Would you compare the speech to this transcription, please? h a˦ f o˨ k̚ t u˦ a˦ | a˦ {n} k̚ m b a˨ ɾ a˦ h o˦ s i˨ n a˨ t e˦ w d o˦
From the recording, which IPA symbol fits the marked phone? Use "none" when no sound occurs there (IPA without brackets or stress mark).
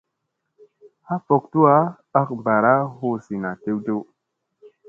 none